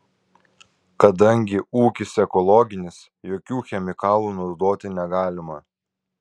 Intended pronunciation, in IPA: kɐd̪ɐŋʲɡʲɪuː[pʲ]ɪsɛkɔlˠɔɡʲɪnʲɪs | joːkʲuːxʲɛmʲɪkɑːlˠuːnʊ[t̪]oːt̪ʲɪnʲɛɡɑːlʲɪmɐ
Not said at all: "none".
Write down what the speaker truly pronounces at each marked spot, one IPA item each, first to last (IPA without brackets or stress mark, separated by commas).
kʲ, d̪